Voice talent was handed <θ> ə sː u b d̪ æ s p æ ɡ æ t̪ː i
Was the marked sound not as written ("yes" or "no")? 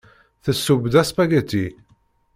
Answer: no